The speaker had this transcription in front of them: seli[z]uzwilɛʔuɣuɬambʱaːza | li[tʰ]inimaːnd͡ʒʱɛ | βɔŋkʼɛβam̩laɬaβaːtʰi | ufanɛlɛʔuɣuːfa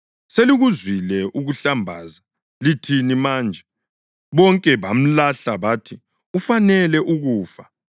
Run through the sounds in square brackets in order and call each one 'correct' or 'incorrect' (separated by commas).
incorrect, correct